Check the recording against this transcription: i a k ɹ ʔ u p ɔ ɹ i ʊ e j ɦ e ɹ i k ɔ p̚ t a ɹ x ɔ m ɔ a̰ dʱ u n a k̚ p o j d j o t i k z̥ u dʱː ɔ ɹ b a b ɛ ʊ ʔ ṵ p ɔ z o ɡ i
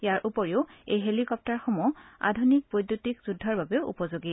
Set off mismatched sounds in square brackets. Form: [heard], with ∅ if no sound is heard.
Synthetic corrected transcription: [j] a [∅] ɹ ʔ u p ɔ ɹ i ʊ e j ɦ e [l] i k ɔ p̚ t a ɹ x ɔ m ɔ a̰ dʱ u n [i] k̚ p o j d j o t i k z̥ u dʱː ɔ ɹ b a b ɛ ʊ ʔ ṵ p ɔ z o ɡ i